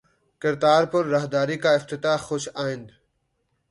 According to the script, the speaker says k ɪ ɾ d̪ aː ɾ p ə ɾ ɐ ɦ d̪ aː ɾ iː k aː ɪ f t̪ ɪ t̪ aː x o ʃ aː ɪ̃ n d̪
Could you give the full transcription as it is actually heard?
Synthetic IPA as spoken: k ɪ ɾ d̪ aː ɾ p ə ɾː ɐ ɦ d̪ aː ɾ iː k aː ɪ f t̪ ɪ t̪ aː x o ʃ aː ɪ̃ n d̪